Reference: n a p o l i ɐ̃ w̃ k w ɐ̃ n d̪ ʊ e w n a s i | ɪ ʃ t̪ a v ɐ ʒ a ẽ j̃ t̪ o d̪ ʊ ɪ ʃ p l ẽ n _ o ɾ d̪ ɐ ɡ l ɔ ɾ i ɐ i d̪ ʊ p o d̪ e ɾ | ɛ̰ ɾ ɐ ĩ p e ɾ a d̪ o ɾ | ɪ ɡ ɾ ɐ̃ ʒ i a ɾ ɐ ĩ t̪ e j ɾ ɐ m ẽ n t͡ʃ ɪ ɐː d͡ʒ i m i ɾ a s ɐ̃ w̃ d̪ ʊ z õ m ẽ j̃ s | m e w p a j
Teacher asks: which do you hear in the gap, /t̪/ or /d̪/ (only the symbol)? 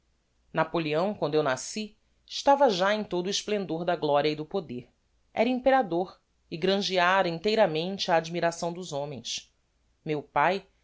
d̪